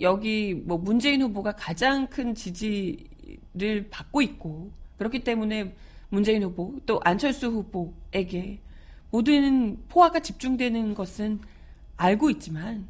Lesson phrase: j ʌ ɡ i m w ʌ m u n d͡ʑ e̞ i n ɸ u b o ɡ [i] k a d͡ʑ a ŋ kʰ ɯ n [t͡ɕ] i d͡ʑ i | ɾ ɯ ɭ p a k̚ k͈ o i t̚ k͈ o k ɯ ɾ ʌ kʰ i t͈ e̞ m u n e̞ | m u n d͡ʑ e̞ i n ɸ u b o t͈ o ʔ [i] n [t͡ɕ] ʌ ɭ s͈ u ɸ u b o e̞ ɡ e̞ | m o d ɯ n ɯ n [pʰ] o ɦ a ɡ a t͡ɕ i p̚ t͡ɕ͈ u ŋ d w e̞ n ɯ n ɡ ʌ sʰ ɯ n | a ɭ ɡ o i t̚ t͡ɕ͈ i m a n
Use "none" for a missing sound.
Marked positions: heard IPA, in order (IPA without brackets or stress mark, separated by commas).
a, t͡ɕ, a, t͡ɕʰ, pʰ